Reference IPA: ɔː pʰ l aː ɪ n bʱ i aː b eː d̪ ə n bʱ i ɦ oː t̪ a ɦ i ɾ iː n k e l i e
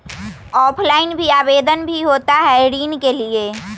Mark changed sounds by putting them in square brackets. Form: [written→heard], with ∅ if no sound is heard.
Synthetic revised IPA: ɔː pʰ l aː ɪ n bʱ i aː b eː d̪ ə n bʱ i ɦ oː t̪ a ɦ [i→ɛ] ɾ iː n k e l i e